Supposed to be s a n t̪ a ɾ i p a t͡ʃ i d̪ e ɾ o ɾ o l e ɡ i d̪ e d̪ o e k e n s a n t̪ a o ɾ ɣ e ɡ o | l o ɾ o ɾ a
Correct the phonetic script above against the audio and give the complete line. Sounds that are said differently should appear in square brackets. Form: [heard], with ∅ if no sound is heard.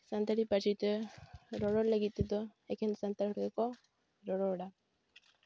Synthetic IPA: s a n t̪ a ɾ i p a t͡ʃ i [t̪] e ɾ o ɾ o l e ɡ i [t̪] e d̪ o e k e n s a n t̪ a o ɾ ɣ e [k] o | [ɾ] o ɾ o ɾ a